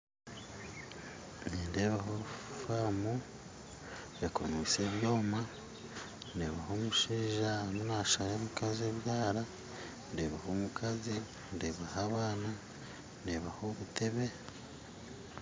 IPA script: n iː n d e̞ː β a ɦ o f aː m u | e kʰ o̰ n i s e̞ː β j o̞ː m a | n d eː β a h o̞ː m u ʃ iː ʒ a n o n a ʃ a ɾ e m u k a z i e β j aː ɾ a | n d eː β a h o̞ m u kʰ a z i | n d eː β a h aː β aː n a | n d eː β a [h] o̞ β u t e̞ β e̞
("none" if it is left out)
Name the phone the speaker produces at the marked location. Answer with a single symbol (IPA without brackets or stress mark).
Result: h